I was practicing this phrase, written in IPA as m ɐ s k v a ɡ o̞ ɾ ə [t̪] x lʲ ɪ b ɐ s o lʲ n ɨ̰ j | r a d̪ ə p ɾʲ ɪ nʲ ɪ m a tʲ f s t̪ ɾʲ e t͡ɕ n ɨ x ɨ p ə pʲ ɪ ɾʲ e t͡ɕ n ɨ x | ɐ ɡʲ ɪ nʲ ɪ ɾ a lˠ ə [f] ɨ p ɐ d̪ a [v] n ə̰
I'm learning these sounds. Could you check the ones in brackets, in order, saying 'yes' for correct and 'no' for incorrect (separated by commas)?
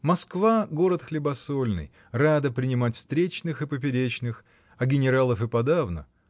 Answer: yes, yes, yes